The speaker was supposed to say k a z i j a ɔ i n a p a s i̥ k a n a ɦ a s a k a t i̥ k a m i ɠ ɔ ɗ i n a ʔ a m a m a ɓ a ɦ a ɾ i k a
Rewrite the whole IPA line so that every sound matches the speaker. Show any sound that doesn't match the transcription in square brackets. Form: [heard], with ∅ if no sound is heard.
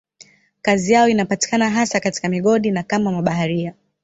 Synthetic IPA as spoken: k a z i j a ɔ i n a p a [t] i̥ k a n a ɦ a s a k a t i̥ k a m i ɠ ɔ ɗ i n a [k] a m a m a ɓ a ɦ a ɾ i [∅] a